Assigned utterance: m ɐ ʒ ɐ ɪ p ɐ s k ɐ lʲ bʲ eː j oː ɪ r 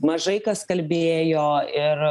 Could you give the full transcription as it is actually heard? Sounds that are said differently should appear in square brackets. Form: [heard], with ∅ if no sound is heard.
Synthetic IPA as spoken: m ɐ ʒ ɐ ɪ [k] ɐ s k ɐ lʲ bʲ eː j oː ɪ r